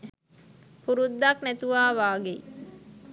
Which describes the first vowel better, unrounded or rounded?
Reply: rounded